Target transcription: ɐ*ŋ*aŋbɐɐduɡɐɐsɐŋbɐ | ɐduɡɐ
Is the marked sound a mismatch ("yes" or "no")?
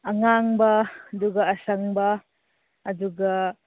no